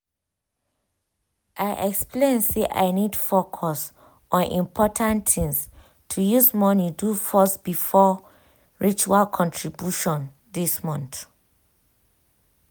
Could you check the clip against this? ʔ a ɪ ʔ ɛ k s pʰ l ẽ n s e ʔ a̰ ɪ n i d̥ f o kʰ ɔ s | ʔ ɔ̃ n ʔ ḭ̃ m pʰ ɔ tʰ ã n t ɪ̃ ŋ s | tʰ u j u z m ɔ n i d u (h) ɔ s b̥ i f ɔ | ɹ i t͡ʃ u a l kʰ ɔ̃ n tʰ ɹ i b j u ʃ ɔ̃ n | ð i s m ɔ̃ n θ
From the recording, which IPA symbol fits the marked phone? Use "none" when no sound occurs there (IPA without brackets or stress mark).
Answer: f